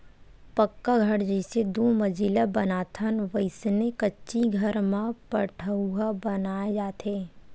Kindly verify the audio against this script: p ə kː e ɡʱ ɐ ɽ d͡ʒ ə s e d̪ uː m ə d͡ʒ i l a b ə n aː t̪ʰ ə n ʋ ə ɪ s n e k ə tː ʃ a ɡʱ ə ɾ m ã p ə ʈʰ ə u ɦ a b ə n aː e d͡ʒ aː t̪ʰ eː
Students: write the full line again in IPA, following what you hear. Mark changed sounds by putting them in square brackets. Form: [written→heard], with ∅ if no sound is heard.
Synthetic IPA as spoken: p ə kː [e→a] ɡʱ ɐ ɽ d͡ʒ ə s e d̪ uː m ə d͡ʒ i l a b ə n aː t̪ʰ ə n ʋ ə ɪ s n e k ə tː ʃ [a→i] ɡʱ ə ɾ m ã p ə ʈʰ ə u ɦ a b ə n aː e d͡ʒ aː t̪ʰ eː